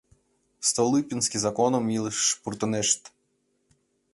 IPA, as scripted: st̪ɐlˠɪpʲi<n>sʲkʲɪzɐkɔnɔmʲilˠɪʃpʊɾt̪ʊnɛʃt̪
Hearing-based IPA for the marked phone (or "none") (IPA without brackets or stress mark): n